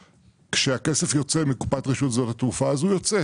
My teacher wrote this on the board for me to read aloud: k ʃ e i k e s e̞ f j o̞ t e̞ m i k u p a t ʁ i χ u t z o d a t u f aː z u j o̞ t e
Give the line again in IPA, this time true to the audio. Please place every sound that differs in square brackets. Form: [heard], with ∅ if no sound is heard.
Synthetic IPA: k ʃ e [a] k e s e̞ f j o̞ [t͡s] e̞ m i k u p a t ʁ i [ʃ] u t z o [t] a t u f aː z u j o̞ [t͡s] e